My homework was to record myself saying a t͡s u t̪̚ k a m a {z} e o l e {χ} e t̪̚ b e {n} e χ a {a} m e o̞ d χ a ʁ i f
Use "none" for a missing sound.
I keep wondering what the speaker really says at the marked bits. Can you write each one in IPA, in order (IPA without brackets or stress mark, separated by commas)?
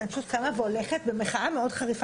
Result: v, χ, m, a